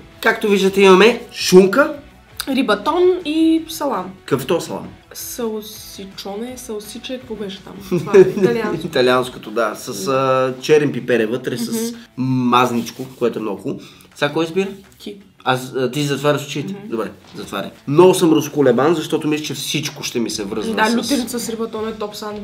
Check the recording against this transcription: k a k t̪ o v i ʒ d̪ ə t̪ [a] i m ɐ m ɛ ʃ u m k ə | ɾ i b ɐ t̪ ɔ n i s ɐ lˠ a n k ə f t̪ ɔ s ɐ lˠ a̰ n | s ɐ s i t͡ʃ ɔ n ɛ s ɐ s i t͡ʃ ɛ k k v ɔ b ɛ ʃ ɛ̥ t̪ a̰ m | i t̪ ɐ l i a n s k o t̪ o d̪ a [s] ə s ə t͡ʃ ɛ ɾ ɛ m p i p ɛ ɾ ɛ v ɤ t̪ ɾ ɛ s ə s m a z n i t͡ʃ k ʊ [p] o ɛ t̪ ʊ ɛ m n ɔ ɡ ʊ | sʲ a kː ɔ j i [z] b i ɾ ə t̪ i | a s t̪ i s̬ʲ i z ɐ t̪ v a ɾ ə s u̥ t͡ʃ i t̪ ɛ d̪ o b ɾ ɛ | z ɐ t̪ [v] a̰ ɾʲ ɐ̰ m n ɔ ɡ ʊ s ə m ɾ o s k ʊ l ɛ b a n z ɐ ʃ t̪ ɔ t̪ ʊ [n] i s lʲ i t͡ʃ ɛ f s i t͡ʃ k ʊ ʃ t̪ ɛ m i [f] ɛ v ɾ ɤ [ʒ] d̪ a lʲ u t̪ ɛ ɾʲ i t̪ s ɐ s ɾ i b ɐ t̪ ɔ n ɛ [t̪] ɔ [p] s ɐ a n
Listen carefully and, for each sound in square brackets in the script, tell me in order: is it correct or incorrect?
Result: incorrect, correct, incorrect, correct, correct, incorrect, incorrect, incorrect, correct, correct

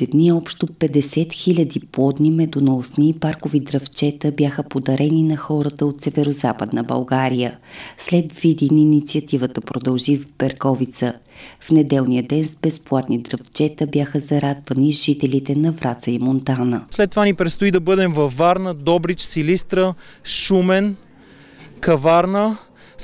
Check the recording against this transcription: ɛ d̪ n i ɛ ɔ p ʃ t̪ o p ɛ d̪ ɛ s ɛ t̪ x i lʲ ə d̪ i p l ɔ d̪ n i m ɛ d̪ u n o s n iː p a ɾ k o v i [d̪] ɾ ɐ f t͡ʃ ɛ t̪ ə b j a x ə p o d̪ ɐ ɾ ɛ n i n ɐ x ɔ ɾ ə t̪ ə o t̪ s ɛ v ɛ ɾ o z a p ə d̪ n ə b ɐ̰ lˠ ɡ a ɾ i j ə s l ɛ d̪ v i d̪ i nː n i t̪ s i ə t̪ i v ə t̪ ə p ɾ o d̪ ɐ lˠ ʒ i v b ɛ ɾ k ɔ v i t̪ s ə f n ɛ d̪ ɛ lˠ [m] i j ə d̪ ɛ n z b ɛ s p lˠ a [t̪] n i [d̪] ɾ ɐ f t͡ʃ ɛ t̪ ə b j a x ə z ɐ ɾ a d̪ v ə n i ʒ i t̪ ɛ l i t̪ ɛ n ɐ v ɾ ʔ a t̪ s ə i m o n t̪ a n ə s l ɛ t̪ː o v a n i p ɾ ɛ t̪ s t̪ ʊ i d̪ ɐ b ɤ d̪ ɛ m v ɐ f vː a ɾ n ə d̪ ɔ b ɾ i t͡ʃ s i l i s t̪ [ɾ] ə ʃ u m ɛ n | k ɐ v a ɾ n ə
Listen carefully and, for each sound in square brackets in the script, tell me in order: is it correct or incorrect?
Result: correct, incorrect, correct, correct, correct

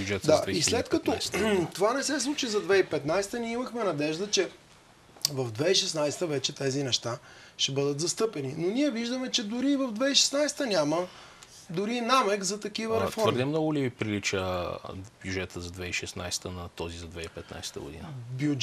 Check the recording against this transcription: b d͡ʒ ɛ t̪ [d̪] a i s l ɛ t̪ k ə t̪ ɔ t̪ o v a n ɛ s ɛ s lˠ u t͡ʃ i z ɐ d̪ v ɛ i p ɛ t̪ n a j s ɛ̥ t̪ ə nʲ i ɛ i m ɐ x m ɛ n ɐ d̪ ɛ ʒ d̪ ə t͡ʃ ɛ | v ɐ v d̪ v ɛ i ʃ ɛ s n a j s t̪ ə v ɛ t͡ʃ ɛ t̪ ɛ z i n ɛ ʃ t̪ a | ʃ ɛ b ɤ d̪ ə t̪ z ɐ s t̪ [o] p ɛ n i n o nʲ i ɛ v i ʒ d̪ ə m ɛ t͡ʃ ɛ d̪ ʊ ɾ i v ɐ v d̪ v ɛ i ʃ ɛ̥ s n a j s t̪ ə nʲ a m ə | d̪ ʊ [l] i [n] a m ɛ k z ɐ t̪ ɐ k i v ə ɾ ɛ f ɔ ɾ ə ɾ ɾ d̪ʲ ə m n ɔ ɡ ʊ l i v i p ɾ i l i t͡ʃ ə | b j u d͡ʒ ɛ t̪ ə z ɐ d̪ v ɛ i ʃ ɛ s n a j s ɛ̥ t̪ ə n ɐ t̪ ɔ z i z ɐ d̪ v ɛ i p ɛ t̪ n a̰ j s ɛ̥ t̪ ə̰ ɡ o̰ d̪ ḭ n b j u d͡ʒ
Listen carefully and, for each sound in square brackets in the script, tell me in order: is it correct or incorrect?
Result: correct, incorrect, incorrect, correct

